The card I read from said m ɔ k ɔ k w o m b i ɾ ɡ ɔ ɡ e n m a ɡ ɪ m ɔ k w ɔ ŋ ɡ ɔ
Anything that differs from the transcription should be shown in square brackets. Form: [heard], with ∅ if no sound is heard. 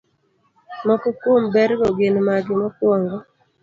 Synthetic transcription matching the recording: m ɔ k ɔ k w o m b [ɛ] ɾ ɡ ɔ ɡ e n m a ɡ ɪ m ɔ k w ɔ ŋ ɡ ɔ